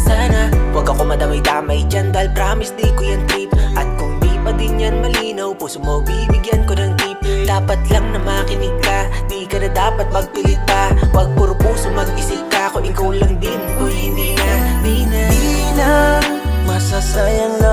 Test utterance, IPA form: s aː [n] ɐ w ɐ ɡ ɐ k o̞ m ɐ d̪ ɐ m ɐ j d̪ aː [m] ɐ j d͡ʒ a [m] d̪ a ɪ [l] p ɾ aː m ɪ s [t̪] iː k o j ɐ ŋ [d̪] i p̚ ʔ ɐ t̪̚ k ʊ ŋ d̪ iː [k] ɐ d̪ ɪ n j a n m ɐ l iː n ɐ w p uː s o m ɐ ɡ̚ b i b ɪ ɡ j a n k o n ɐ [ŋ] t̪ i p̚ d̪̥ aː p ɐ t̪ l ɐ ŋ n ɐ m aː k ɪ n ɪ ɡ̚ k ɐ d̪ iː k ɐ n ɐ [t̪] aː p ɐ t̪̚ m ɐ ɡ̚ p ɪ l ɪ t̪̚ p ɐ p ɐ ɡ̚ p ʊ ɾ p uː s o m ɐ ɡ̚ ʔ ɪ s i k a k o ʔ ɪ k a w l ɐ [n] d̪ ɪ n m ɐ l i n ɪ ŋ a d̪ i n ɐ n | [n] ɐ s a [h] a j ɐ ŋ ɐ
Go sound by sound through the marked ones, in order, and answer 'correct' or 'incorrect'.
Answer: correct, correct, incorrect: n, correct, incorrect: d̪, incorrect: t̪, incorrect: p, correct, incorrect: d̪, incorrect: ŋ, incorrect: m, incorrect: s

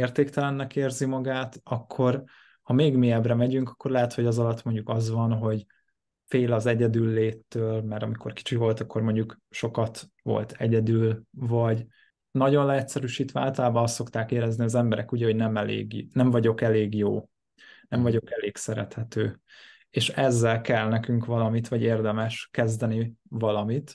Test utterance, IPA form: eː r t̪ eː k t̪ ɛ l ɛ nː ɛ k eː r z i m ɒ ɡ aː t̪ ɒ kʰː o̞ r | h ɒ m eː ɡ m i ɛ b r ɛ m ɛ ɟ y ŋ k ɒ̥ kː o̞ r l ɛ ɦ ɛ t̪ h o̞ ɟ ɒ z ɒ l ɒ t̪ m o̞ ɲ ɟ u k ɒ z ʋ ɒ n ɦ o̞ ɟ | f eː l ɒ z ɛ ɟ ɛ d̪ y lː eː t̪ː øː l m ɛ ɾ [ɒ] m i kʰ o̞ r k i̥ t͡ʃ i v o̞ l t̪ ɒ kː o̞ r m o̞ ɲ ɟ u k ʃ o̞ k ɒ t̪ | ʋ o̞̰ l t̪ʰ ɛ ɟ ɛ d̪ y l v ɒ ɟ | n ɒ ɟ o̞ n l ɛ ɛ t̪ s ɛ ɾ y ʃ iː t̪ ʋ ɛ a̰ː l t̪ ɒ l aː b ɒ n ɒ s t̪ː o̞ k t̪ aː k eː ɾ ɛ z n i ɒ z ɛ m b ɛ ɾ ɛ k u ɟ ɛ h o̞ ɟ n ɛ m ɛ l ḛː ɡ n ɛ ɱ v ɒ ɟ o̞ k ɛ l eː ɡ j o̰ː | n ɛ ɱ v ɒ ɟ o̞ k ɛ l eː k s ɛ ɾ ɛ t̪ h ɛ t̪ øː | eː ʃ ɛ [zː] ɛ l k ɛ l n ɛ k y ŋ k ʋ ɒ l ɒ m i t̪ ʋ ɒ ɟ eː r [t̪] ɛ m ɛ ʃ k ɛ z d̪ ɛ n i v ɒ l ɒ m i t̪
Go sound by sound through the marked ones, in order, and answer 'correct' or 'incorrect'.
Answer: correct, correct, incorrect: d̪

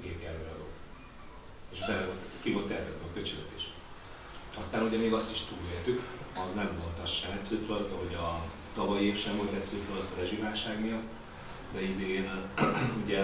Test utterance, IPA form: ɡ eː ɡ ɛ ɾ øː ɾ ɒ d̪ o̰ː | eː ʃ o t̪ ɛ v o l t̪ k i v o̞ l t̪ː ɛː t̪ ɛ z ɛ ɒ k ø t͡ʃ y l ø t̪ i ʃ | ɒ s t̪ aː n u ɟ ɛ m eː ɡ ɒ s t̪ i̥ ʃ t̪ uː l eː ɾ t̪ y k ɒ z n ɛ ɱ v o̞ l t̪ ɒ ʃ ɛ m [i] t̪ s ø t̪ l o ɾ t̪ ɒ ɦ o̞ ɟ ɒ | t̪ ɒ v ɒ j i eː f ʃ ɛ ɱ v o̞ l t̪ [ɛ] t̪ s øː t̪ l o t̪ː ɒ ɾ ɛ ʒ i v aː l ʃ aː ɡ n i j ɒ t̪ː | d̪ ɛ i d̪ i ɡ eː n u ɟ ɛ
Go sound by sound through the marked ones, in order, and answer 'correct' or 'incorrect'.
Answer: incorrect: ɛ, correct

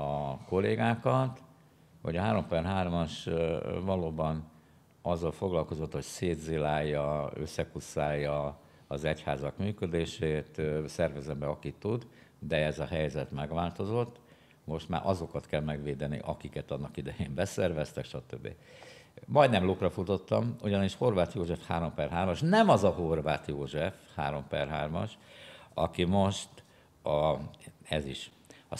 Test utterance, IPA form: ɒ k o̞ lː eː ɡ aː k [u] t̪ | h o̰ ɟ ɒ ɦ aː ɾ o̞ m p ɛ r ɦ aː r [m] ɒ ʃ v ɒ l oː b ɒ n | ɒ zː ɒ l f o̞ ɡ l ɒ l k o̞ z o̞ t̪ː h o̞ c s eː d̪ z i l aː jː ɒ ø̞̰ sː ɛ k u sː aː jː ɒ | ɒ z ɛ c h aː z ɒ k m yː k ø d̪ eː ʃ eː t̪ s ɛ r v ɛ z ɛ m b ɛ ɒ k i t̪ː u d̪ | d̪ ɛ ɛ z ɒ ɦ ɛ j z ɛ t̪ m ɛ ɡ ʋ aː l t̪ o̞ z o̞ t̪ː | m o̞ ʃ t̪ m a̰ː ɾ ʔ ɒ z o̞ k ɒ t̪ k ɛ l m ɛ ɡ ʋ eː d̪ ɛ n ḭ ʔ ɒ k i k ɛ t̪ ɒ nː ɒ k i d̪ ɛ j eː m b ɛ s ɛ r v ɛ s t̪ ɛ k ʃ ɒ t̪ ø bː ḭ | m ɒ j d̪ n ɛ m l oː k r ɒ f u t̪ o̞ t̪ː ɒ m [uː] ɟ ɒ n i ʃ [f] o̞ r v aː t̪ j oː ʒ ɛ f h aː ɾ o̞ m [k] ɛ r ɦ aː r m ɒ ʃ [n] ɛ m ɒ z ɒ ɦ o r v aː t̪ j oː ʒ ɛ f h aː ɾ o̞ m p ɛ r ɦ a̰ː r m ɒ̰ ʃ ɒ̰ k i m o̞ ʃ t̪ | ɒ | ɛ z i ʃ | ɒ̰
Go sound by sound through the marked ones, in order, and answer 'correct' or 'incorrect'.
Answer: incorrect: ɒ, correct, incorrect: u, incorrect: h, incorrect: p, correct

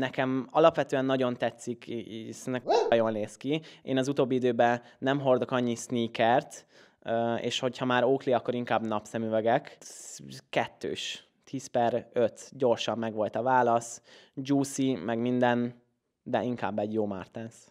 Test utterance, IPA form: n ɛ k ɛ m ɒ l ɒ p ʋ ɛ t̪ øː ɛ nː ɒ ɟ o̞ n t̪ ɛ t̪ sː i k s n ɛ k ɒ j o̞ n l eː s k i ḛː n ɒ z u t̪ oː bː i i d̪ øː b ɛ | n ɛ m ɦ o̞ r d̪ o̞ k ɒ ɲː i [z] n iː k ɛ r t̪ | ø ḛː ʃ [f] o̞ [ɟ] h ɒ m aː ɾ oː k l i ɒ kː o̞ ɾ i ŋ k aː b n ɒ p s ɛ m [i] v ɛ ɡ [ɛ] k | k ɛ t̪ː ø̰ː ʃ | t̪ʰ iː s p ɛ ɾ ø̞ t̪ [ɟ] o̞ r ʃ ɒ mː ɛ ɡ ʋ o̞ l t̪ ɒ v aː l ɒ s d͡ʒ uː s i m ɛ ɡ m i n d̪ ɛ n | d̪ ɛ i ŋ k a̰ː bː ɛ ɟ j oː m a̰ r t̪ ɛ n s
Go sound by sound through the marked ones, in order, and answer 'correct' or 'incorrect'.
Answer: incorrect: s, incorrect: h, incorrect: c, incorrect: y, correct, correct

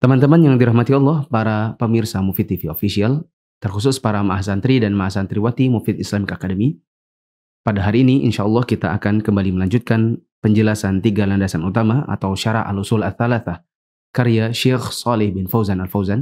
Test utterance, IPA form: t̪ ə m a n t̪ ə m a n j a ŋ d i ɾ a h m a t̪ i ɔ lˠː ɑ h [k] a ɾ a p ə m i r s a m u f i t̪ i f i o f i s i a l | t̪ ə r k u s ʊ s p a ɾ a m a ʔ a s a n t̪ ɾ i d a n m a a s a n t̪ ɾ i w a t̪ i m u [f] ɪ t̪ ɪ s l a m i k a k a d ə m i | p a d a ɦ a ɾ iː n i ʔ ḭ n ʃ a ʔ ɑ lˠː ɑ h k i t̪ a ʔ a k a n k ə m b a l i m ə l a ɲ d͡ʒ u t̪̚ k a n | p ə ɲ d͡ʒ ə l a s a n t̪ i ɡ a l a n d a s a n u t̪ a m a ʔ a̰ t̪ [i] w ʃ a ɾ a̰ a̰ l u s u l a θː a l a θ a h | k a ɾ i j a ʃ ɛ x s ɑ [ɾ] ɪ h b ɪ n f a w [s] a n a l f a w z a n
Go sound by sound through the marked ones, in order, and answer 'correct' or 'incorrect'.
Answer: incorrect: p, correct, incorrect: a, incorrect: l, incorrect: z

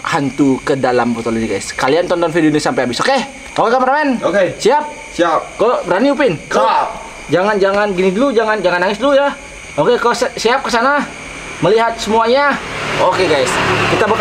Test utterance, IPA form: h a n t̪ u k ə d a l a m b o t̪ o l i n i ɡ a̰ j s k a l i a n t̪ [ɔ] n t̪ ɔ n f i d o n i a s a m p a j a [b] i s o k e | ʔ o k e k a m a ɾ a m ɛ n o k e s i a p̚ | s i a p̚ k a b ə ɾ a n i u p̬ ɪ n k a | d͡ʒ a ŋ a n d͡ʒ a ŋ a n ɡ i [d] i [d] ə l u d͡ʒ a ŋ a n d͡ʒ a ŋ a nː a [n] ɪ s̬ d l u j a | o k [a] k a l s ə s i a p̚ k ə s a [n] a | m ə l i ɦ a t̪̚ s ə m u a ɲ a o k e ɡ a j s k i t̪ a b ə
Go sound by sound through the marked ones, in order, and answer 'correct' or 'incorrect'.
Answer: correct, correct, incorrect: n, correct, incorrect: ŋ, incorrect: e, correct

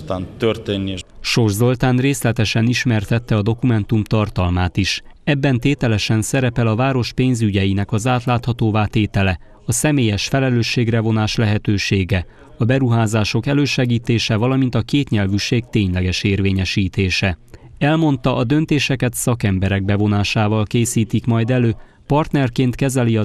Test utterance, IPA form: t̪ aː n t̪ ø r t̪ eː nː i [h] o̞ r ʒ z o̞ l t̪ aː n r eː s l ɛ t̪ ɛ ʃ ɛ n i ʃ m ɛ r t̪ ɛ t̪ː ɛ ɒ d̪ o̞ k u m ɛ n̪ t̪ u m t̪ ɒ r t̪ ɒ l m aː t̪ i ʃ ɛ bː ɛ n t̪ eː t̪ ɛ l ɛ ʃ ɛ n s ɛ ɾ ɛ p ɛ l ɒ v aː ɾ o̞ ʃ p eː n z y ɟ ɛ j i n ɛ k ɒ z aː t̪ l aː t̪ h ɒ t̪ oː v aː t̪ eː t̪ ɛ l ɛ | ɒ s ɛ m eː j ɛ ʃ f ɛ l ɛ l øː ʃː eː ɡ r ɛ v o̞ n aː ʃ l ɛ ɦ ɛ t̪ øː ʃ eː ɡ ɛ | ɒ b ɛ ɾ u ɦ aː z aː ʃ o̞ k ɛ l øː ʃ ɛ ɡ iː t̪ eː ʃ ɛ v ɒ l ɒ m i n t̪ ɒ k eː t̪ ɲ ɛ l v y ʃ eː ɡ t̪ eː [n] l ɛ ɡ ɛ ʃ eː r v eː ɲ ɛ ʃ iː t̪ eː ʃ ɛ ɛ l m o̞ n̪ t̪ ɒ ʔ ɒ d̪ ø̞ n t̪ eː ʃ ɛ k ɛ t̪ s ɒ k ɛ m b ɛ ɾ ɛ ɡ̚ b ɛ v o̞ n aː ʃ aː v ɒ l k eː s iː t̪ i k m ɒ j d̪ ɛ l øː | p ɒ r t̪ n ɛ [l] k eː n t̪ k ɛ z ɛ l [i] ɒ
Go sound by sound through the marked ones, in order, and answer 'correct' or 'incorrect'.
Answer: incorrect: ʃ, incorrect: ɲ, incorrect: r, correct

